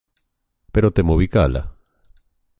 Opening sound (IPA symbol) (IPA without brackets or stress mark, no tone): p